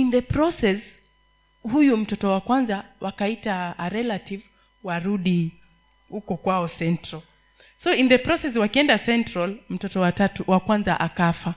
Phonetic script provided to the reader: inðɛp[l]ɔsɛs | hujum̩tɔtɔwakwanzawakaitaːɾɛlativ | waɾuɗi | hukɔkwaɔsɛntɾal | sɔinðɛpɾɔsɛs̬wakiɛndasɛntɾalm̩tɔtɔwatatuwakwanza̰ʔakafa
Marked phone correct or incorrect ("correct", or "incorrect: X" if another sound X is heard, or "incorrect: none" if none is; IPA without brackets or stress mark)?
incorrect: ɾ